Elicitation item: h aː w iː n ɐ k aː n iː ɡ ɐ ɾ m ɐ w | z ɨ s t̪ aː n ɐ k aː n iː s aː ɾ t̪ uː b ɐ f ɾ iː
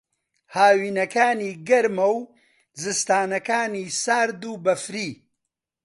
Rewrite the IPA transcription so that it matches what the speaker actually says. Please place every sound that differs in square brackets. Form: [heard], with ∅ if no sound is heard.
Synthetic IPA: h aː w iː n ɐ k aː n iː ɡ ɐ ɾ m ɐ w | z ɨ s t̪ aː n ɐ k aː n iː s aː ɾ [d̪] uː b ɐ f ɾ iː

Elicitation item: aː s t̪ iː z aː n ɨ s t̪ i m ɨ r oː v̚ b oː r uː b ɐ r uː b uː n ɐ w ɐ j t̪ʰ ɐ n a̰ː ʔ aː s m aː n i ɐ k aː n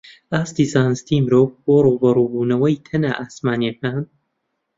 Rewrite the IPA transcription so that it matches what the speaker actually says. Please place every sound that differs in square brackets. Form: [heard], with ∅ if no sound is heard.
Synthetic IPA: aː s t̪ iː z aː n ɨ s t̪ i m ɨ [ɾ] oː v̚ b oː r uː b ɐ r uː b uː n ɐ w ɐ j t̪ʰ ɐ n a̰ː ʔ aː s m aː n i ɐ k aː n

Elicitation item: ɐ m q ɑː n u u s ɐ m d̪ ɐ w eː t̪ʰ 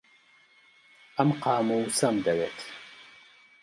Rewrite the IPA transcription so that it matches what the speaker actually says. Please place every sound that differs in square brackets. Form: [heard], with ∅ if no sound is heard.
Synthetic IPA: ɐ m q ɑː [m] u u s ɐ m d̪ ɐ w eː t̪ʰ

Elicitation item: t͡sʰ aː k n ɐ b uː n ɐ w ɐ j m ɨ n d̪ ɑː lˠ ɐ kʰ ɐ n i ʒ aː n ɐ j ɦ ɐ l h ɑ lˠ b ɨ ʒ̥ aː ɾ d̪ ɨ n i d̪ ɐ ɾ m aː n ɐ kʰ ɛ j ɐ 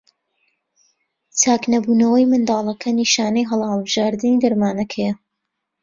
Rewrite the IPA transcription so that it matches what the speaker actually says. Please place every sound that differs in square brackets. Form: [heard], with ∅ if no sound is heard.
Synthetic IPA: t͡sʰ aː k n ɐ b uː n ɐ w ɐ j m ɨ n d̪ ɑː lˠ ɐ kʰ ɐ n i [ʃ] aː n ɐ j ɦ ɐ l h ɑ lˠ b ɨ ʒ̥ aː ɾ d̪ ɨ n i d̪ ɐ ɾ m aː n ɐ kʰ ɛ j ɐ

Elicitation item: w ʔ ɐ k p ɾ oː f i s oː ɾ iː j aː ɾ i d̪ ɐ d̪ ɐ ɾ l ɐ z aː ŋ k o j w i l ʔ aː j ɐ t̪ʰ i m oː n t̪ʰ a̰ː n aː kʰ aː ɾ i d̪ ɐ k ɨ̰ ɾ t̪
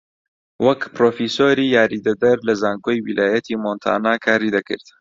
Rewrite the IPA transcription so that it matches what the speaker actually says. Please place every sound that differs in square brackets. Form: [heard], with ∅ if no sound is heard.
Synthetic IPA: w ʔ ɐ k p ɾ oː f i s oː ɾ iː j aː ɾ i d̪ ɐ d̪ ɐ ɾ l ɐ z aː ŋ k o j w i l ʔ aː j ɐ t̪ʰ i m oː n t̪ʰ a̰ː n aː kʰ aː ɾ i d̪ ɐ k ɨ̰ ɾ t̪

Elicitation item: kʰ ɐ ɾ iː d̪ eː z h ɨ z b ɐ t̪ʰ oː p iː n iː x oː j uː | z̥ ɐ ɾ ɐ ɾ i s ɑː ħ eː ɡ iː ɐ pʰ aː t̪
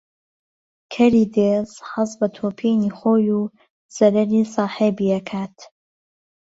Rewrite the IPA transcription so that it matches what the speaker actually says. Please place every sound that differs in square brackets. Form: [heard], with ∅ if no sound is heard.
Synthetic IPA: kʰ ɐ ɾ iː d̪ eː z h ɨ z b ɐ t̪ʰ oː [pʰ] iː n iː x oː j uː | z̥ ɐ ɾ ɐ ɾ i s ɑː ħ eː [b] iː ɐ [kʰ] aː t̪

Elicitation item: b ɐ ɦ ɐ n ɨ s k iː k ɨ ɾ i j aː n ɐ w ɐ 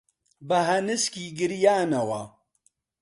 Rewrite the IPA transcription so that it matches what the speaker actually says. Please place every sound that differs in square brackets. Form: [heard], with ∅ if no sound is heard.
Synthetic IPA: b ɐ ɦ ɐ n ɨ s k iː [ɡ] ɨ ɾ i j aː n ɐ w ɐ

